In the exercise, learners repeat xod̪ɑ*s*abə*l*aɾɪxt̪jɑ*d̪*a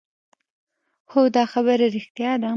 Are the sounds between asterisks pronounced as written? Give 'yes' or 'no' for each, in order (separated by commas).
no, no, yes